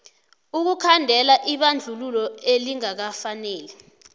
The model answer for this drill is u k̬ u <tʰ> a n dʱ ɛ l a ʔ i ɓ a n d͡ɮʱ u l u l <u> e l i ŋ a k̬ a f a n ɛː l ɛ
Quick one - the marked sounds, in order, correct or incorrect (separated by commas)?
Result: incorrect, incorrect